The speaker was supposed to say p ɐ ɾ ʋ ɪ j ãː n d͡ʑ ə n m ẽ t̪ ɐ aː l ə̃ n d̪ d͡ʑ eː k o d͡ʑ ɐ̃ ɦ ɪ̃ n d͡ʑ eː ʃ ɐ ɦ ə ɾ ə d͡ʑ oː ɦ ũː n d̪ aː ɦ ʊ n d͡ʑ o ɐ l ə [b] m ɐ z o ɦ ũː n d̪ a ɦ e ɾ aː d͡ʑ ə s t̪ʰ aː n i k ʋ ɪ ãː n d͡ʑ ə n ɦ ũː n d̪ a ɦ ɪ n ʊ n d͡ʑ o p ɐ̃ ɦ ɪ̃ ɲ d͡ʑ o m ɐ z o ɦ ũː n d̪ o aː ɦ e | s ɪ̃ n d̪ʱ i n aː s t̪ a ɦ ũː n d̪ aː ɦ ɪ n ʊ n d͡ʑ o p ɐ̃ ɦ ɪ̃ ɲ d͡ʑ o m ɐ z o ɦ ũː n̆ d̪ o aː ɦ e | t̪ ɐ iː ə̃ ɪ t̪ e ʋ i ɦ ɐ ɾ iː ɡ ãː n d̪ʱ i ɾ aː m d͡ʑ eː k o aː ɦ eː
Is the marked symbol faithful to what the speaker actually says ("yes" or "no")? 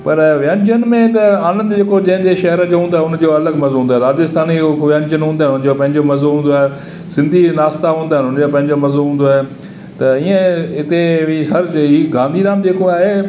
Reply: no